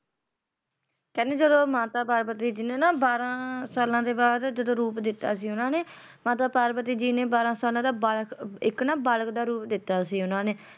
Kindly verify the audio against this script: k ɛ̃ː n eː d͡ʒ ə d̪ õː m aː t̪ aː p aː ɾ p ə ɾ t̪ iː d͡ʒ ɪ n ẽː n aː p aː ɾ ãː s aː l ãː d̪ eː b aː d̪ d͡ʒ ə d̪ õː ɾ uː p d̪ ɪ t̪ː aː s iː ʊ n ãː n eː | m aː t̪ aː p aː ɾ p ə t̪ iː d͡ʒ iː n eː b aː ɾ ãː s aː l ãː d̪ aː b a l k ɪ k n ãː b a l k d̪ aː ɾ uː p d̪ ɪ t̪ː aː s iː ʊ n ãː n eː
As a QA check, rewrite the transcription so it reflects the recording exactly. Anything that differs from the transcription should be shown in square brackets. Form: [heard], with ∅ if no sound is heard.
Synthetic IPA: k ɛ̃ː n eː d͡ʒ ə d̪ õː m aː t̪ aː p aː ɾ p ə [∅] t̪ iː d͡ʒ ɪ n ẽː n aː [b] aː ɾ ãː s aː l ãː d̪ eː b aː d̪ d͡ʒ ə d̪ õː ɾ uː p d̪ ɪ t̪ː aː s iː ʊ n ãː n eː | m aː t̪ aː p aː ɾ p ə t̪ iː d͡ʒ iː n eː b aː ɾ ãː s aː l ãː d̪ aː b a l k ɪ k n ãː b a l k d̪ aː ɾ uː p d̪ ɪ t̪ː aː s iː ʊ n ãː n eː